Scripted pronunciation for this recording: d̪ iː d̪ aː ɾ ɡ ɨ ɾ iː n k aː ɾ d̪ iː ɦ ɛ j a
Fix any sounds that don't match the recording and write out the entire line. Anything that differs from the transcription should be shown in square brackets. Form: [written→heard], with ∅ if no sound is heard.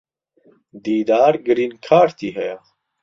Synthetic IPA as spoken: d̪ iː d̪ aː ɾ ɡ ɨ ɾ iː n [k→kʰ] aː ɾ [d̪→t̪] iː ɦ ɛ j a